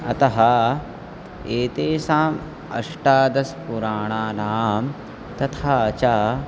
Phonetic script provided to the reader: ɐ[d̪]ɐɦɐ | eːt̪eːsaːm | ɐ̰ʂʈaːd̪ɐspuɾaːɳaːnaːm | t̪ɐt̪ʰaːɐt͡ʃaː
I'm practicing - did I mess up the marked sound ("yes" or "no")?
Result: yes